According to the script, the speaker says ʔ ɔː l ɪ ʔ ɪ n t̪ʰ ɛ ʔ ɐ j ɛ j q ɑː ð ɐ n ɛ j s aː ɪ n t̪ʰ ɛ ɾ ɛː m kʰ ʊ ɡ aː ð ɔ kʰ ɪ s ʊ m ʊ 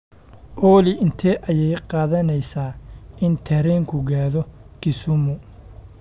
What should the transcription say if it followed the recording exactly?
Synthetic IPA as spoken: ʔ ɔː l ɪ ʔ ɪ n t̪ʰ ɛ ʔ ɐ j ɛ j q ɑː ð ɐ n ɛ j s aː ɪ n t̪ʰ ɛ ɾ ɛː ŋ kʰ ʊ ɡ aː ð ɔ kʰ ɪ s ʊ m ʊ